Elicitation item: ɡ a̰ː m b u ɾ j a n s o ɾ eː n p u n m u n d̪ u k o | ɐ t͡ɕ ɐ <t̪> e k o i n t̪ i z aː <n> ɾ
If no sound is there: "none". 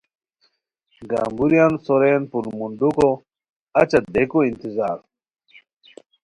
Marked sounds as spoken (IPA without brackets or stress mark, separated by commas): d̪, none